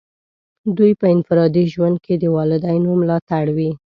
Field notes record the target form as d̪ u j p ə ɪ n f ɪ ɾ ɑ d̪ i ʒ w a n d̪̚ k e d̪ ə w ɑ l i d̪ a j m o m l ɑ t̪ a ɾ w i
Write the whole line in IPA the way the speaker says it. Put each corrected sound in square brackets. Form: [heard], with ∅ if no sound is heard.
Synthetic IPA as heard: d̪ u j p ə ɪ n f ɪ ɾ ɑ d̪ i ʒ w a n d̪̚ k e d̪ ə w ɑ l [ɪ] d̪ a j [n] o m l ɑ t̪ a [ɽ] w i